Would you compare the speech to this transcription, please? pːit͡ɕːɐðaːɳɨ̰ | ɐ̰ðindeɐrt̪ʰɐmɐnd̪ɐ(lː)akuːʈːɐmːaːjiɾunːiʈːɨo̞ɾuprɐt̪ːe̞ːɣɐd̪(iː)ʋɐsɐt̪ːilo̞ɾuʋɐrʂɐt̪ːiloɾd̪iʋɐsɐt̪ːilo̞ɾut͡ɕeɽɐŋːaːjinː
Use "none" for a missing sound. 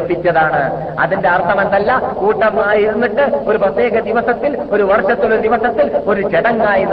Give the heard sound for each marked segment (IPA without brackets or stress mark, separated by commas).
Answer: lː, i